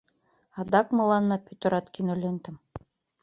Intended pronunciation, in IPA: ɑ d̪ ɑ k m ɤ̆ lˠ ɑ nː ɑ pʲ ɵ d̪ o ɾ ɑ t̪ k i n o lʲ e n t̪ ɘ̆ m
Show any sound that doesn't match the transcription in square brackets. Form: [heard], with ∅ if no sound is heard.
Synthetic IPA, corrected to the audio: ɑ d̪ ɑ k m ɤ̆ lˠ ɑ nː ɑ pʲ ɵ [t̪] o ɾ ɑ t̪ k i n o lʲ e n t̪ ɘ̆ m